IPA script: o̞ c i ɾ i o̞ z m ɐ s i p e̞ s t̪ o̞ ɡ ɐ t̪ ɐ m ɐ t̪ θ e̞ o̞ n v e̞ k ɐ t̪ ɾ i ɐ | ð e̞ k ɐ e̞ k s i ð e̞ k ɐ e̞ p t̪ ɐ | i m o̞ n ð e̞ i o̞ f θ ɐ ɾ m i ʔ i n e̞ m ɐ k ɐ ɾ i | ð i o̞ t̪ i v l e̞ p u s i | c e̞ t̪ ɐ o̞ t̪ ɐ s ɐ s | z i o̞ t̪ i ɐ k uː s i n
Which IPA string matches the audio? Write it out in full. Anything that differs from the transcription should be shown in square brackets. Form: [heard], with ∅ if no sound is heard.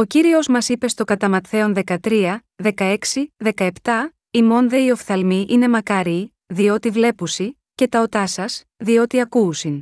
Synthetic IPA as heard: o̞ c i ɾ i o̞ z m ɐ s i p e̞ s t̪ o̞ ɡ ɐ t̪ ɐ m ɐ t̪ θ e̞ o̞ n [ð] e̞ k ɐ t̪ ɾ i ɐ | ð e̞ k ɐ e̞ k s i ð e̞ k ɐ e̞ p t̪ ɐ | i m o̞ n ð e̞ i o̞ f θ ɐ [l] m i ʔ i n e̞ m ɐ k ɐ ɾ i | ð i o̞ t̪ i v l e̞ p u s i | c e̞ t̪ ɐ o̞ t̪ ɐ s ɐ s | [ð] i o̞ t̪ i ɐ k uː s i n